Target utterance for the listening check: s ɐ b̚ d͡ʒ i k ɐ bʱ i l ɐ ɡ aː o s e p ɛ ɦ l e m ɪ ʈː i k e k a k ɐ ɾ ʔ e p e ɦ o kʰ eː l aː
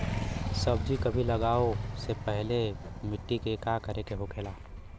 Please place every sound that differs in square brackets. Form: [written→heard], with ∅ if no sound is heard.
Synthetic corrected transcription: s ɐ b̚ d͡ʒ i k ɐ bʱ i l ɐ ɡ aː o s e p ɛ ɦ l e m ɪ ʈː i k e k a k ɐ ɾ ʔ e [p→k] e ɦ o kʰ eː l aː